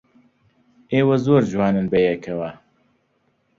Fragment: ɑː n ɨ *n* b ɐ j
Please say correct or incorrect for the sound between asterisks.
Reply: correct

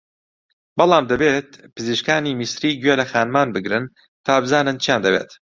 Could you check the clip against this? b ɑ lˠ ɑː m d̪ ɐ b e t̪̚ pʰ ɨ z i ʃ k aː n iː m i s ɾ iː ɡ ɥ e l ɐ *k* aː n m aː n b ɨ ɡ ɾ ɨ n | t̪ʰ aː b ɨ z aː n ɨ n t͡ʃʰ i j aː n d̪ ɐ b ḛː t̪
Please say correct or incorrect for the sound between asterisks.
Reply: incorrect: x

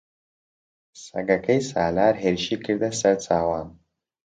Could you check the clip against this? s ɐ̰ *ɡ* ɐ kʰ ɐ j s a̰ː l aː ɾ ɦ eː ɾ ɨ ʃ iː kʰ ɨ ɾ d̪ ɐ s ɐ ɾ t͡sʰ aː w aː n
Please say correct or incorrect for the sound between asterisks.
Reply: correct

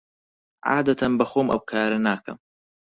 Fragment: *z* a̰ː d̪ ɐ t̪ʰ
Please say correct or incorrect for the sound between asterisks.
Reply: incorrect: ʕ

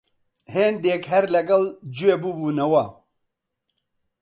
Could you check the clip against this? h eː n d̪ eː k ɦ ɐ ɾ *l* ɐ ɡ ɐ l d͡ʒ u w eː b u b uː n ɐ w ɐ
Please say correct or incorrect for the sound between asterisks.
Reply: correct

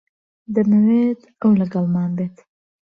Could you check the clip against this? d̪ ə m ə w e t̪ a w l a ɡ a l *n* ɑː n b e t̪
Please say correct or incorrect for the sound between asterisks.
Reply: incorrect: m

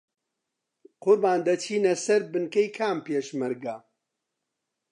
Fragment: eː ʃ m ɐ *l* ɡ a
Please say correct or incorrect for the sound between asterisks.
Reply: incorrect: ɾ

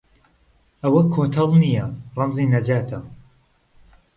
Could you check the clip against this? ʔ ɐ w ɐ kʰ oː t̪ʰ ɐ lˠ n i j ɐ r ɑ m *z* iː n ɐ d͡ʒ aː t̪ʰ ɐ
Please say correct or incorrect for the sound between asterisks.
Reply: correct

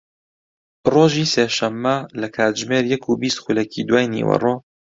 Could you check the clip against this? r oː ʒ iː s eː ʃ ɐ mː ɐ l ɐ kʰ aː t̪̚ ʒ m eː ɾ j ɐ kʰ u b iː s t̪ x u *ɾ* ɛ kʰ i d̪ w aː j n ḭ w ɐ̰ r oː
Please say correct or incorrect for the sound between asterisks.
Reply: incorrect: l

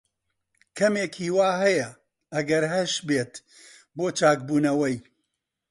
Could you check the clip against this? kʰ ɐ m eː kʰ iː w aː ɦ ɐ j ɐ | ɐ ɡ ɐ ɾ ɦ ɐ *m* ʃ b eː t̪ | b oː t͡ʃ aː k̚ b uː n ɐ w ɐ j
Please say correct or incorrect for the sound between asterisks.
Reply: incorrect: none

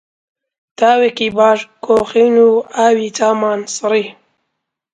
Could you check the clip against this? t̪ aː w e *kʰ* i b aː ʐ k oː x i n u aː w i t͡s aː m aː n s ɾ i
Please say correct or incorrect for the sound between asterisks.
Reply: incorrect: k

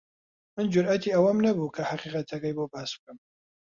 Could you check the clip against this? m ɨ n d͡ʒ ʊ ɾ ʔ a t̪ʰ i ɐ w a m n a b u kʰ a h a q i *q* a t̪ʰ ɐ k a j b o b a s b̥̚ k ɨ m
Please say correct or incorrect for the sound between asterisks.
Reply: correct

